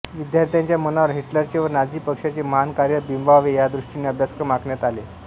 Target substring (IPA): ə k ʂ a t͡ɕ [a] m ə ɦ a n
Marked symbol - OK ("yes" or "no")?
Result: no